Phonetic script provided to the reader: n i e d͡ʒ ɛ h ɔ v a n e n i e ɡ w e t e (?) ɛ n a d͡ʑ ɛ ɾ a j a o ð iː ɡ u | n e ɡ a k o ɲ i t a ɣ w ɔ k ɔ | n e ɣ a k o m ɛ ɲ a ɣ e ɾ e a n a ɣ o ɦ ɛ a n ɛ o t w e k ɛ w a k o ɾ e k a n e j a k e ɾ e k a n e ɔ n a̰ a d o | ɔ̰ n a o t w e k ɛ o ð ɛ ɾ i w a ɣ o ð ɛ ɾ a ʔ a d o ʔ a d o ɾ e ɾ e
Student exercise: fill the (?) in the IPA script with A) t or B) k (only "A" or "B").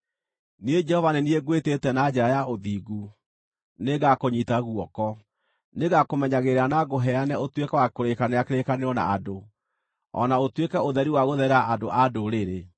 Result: A